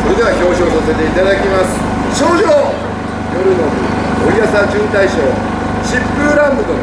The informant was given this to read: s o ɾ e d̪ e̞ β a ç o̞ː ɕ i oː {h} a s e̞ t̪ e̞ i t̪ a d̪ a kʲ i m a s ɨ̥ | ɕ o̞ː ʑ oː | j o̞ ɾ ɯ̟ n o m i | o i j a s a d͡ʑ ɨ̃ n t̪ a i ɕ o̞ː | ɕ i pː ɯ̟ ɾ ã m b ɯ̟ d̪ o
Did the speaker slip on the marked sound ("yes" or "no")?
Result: yes